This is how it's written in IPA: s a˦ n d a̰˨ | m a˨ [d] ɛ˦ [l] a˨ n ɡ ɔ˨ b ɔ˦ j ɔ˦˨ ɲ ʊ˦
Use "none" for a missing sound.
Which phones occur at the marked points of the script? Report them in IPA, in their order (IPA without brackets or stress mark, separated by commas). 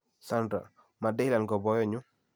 d, l